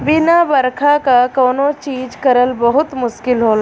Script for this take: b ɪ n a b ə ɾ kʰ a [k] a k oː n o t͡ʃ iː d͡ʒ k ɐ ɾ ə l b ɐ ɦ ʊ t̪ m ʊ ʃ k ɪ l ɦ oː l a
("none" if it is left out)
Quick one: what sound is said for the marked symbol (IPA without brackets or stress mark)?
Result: k